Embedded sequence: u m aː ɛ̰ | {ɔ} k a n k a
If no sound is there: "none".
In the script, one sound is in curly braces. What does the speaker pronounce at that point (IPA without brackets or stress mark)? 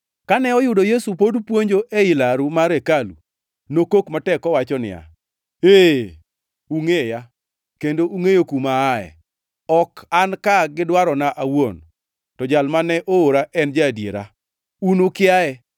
ɔ